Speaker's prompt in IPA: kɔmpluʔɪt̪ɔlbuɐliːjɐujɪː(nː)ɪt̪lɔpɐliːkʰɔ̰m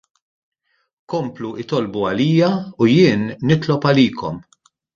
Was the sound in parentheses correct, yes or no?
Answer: yes